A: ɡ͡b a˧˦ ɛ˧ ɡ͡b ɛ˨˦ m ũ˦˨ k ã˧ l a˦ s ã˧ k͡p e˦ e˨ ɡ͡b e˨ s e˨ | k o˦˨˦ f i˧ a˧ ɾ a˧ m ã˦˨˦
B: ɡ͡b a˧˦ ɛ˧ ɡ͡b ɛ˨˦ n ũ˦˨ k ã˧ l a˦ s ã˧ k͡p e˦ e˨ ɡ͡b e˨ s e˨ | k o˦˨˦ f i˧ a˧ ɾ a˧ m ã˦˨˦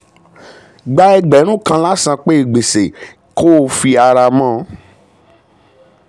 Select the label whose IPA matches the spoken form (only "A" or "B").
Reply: B